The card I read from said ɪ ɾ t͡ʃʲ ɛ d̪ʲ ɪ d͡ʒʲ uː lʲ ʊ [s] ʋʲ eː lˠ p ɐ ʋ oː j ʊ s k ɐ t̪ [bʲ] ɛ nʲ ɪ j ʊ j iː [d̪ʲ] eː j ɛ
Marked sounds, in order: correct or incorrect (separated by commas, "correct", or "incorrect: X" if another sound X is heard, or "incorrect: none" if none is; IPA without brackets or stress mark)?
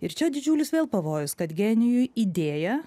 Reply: correct, incorrect: ɡʲ, correct